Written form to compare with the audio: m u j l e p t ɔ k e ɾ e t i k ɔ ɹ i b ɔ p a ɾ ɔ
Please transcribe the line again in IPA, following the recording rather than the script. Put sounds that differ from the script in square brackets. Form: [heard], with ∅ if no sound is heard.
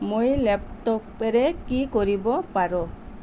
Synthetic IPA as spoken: m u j l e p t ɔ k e ɾ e [k] i k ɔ [ɾ] i b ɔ p a ɾ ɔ

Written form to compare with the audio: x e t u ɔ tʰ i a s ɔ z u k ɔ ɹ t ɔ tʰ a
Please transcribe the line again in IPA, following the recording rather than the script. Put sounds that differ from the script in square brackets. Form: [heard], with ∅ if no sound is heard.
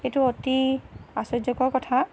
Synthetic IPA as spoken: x e t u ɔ [t] i a s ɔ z [ɔ] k ɔ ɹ [k] ɔ tʰ a

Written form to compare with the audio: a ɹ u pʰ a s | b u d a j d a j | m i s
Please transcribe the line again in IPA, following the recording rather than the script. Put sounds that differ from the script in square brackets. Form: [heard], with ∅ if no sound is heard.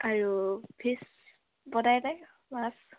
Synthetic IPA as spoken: a ɹ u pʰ [i] s | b [ɔ] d a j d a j | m [a] s

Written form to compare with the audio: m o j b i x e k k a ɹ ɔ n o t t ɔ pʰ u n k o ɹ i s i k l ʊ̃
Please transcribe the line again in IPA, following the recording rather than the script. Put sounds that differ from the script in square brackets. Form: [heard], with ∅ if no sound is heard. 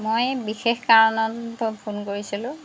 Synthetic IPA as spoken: m o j b i x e [x] k a ɹ ɔ n [ɔ] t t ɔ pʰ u n k o ɹ i s i [∅] l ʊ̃

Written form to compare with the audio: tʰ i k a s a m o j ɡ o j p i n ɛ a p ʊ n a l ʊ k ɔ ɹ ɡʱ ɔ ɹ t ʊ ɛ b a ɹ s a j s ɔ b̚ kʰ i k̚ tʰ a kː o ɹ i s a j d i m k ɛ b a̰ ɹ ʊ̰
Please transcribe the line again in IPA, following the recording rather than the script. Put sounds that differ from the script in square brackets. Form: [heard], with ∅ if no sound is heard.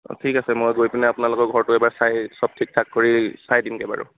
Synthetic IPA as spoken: tʰ i k a s [ɛ] m o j ɡ o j p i n ɛ a p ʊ n a l ʊ k ɔ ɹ ɡʱ ɔ ɹ t ʊ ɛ b a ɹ s a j s ɔ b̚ [tʰ] i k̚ tʰ a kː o ɹ i s a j d i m k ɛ b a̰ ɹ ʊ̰

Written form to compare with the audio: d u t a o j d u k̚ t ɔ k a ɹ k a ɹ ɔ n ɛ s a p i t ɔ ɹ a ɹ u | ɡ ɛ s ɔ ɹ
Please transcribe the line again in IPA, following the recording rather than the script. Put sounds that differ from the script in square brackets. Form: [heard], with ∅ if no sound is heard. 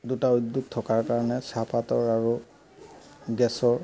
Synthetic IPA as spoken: d u t a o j d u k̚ [tʰ] ɔ k a ɹ k a ɹ ɔ n ɛ s a p [a] t ɔ ɹ a ɹ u | ɡ ɛ s ɔ ɹ

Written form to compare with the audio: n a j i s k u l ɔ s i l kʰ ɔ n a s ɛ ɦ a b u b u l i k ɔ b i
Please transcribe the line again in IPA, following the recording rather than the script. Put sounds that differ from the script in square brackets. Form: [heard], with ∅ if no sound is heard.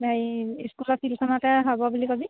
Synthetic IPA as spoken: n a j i s k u l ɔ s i l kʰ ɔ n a [t] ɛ ɦ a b [ɔ] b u l i k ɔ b i

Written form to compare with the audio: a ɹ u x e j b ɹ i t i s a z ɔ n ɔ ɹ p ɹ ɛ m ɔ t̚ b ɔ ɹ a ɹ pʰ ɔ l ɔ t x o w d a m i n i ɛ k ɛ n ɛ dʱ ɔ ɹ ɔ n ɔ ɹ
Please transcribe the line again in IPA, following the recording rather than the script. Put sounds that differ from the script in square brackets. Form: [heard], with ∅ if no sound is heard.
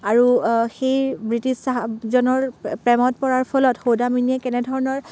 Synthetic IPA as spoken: a ɹ u x e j b ɹ i t i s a z ɔ n ɔ ɹ p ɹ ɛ m ɔ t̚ [p] ɔ ɹ a ɹ pʰ ɔ l ɔ t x o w d a m i n i ɛ k ɛ n ɛ dʱ ɔ ɹ ɔ n ɔ ɹ

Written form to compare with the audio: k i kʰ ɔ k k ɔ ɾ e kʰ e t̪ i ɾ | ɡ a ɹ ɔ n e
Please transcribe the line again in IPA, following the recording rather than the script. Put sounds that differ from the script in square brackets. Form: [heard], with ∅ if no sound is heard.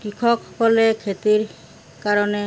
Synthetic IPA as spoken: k i kʰ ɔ k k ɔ [l] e kʰ e t̪ i ɾ | [k] a [ɾ] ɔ n e

